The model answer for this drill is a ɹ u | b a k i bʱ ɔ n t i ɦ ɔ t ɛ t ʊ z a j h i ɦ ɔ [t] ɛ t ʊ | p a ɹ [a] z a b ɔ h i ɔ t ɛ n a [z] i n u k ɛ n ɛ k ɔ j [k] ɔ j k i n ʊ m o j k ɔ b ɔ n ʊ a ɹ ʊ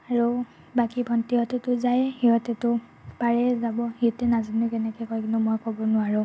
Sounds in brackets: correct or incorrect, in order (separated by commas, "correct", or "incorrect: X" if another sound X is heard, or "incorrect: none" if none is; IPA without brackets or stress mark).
correct, incorrect: ɛ, correct, correct